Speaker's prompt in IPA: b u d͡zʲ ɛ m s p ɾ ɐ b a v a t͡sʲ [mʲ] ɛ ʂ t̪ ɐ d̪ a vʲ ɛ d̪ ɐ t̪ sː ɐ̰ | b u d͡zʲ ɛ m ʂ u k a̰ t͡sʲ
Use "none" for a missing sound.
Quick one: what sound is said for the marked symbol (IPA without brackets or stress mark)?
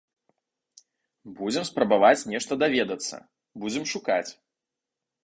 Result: nʲ